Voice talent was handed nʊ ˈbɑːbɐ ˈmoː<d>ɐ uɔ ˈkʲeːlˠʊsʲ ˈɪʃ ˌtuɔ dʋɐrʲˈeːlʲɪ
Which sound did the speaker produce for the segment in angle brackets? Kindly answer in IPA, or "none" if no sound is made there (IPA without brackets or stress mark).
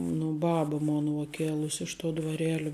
n